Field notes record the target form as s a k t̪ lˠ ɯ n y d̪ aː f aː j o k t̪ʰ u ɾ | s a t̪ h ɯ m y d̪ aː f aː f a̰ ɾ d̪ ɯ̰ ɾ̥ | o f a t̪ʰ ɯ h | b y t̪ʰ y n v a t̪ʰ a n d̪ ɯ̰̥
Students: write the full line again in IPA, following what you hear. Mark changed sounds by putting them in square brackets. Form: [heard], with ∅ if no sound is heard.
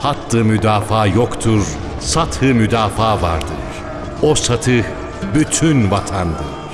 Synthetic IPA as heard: [h] a [∅] t̪ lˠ ɯ [m] y d̪ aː f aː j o k t̪ʰ u ɾ | s a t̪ h ɯ m y d̪ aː f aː [v] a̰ ɾ d̪ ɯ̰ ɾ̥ | o [s] a t̪ʰ ɯ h | b y t̪ʰ y n v a t̪ʰ a n d̪ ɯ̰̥